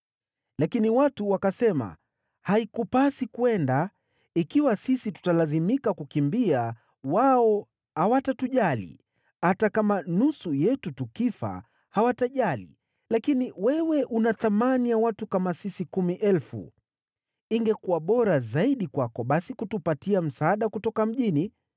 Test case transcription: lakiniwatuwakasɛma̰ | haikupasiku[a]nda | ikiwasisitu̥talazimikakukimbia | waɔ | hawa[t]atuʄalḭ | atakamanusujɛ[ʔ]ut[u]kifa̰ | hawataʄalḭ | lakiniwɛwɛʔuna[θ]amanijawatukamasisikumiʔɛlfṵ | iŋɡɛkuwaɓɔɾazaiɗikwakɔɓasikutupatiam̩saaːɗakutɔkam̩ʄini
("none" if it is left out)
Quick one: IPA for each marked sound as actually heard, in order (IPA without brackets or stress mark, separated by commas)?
ɛ, t, t, u, θ